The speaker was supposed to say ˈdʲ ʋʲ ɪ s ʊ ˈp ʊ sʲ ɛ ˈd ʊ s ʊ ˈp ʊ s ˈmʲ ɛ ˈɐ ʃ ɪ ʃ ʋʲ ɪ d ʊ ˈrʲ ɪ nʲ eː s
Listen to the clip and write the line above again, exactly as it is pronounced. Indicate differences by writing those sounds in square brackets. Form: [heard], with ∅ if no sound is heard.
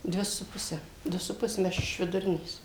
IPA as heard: ˈdʲ ʋʲ ɪ s ʊ ˈp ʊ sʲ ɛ ˈd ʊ s ʊ ˈp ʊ s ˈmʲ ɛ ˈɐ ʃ ɪ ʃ ʋʲ ɪ d ʊ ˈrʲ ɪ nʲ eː s